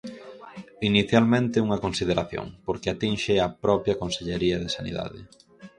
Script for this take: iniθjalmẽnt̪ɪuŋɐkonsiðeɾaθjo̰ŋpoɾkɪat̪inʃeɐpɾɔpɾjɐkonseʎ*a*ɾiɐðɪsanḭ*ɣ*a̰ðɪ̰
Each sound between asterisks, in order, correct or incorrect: incorrect: e, incorrect: ð

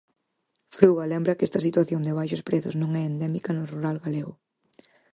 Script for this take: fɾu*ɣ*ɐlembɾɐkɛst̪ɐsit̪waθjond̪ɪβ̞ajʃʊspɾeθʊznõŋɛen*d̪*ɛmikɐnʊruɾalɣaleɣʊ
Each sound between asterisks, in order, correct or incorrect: correct, correct

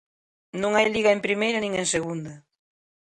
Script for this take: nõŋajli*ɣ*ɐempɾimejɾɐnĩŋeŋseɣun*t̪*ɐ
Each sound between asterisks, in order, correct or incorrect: correct, incorrect: d̪

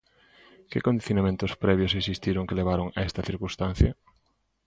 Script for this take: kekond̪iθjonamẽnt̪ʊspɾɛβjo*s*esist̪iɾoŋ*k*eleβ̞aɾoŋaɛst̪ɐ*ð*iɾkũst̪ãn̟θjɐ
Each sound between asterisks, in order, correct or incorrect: correct, correct, incorrect: θ

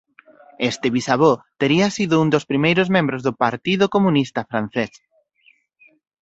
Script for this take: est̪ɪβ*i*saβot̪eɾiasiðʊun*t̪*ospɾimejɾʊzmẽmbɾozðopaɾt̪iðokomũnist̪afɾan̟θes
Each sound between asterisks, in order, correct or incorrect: correct, incorrect: d̪

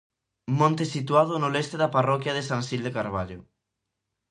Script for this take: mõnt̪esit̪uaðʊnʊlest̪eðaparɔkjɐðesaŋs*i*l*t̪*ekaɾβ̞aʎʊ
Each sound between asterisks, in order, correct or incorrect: correct, incorrect: d̪

